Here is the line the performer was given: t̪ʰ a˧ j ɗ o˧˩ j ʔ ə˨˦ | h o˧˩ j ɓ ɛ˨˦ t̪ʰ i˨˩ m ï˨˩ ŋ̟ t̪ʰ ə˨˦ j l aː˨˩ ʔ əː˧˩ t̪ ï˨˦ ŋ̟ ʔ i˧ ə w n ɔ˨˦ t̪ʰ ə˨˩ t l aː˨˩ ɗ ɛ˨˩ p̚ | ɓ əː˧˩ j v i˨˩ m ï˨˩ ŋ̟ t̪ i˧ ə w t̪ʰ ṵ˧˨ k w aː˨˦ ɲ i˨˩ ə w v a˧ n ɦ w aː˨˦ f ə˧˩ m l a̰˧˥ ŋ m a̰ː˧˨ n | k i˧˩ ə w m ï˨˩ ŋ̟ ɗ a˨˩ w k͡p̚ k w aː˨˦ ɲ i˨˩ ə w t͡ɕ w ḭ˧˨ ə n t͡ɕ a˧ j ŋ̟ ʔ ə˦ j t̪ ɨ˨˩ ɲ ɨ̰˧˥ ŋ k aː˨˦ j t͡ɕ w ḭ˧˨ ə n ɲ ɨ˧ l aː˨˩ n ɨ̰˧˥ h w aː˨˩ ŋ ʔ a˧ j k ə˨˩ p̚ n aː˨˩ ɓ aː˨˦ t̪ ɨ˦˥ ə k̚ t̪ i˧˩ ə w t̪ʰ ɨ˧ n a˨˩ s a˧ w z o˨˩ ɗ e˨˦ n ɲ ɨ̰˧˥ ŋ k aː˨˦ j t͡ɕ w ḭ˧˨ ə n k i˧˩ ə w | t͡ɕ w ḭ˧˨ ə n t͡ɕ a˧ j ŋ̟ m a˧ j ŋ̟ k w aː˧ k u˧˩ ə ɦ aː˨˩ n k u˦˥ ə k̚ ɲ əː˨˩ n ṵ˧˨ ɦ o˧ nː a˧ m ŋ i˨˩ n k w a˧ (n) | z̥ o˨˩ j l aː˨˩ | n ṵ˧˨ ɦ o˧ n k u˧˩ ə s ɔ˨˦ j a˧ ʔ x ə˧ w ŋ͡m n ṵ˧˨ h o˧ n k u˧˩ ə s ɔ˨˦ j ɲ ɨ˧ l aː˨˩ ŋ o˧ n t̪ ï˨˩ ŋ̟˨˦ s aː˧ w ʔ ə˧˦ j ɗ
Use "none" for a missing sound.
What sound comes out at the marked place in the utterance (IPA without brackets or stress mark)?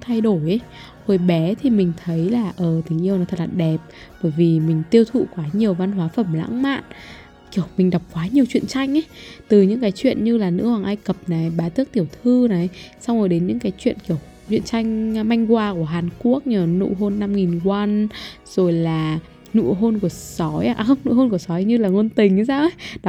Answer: n